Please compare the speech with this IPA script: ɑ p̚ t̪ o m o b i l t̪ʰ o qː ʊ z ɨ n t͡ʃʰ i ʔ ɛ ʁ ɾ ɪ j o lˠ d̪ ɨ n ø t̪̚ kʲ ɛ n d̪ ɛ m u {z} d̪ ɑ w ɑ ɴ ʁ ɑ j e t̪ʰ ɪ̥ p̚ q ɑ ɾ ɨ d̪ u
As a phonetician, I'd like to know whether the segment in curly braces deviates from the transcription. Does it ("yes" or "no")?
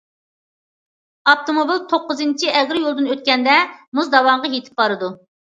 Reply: no